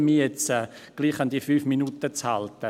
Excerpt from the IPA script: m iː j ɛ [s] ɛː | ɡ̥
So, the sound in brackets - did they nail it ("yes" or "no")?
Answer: no